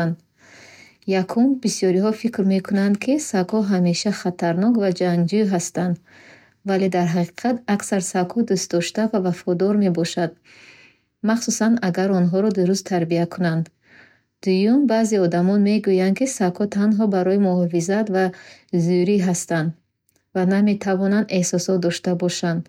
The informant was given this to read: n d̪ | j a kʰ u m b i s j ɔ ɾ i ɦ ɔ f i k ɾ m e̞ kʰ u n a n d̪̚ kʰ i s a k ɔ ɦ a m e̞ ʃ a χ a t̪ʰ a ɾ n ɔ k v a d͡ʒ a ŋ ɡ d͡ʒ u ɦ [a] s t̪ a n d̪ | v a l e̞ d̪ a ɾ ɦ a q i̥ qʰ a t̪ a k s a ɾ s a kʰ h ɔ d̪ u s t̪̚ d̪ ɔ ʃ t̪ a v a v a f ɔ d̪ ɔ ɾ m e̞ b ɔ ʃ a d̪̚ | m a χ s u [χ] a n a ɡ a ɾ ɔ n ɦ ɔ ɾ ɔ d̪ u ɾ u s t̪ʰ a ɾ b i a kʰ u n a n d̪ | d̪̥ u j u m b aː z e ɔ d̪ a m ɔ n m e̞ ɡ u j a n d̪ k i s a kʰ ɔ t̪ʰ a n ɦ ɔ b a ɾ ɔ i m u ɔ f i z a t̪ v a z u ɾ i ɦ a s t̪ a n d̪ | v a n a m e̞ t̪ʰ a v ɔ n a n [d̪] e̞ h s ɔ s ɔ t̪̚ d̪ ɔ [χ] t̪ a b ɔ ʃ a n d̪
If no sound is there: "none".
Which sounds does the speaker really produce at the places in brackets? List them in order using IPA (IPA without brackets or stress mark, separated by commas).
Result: a, s, d̪, ʃ